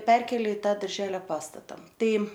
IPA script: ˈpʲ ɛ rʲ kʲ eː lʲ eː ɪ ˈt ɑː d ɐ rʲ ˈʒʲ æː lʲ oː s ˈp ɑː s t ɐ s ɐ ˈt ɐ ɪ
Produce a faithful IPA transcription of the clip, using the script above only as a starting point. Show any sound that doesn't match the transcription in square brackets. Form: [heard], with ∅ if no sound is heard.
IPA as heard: ˈpʲ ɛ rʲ kʲ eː lʲ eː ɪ ˈt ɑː d ɐ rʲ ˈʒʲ æː lʲ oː [∅] ˈp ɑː s t ɐ [t] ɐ ˈt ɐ ɪ